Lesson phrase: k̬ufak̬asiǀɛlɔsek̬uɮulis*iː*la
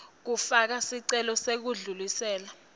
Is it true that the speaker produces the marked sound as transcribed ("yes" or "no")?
no